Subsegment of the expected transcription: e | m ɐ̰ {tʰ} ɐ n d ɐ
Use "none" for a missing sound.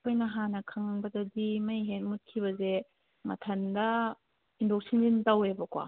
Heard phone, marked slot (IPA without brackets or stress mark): tʰ